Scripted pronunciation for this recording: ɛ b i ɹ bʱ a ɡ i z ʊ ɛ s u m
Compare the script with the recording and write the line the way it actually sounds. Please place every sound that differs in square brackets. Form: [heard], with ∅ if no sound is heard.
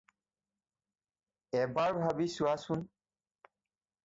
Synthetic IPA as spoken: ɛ b [a] ɹ bʱ a [b] i [s] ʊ [a] s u [n]